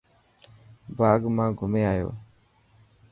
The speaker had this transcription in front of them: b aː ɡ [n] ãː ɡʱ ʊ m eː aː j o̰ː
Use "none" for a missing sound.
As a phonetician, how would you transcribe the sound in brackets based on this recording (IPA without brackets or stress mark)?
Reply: m